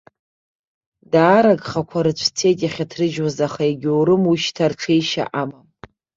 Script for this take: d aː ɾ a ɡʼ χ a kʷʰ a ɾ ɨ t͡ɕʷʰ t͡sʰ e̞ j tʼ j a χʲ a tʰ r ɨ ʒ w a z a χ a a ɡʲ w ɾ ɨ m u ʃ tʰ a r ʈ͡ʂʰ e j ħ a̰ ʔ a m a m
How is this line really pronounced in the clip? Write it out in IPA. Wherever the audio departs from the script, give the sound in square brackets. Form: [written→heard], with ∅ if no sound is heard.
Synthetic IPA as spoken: d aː ɾ a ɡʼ χ a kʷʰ a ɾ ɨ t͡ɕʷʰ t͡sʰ e̞ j tʼ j a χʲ a tʰ r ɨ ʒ w a z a χ a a ɡʲ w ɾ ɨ m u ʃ tʰ a r ʈ͡ʂʰ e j [ħ→ʃ] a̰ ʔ a m a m